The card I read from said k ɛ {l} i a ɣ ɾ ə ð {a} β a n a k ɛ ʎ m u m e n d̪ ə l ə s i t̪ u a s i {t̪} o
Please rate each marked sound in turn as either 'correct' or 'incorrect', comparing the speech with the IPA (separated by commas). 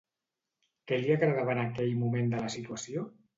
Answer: correct, correct, incorrect